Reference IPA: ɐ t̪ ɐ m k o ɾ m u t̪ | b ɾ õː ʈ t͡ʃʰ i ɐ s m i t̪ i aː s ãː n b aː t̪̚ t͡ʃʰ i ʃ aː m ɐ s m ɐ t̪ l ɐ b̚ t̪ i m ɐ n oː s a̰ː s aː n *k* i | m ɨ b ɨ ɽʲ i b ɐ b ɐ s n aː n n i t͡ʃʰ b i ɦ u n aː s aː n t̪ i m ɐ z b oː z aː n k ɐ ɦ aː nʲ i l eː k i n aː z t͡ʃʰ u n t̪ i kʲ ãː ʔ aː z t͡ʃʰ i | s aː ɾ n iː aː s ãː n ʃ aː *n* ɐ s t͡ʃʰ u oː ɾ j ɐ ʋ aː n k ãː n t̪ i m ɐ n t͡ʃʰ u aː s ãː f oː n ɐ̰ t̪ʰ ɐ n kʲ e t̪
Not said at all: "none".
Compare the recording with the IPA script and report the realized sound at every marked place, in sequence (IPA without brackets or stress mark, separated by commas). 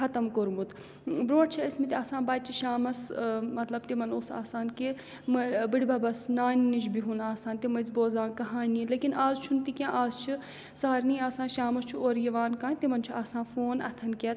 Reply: k, m